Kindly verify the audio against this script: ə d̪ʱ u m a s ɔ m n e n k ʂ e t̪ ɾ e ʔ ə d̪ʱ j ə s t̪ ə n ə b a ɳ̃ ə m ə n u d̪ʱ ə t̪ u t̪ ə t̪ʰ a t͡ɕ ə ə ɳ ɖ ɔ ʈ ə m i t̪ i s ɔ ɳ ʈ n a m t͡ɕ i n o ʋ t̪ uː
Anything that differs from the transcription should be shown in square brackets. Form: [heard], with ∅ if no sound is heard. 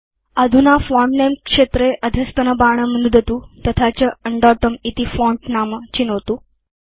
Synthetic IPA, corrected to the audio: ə d̪ʱ u [n] a [f] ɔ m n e [m] k ʂ e t̪ ɾ e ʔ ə d̪ʱ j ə s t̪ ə n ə b a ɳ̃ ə m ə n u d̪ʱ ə t̪ u t̪ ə t̪ʰ a t͡ɕ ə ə ɳ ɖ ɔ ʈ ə m i t̪ i [f] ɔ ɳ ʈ n a m t͡ɕ i n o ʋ t̪ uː